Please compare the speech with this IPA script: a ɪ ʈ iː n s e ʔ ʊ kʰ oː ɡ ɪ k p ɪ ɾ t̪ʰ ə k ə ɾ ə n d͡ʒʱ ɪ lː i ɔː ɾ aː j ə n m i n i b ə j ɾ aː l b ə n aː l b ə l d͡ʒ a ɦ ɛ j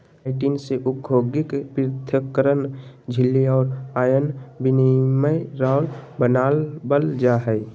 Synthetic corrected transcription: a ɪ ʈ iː n s e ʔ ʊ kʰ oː ɡ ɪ k p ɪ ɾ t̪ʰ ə k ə ɾ ə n d͡ʒʱ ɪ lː i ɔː ɾ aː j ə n b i n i m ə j ɾ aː l b ə n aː l b ə l d͡ʒ a ɦ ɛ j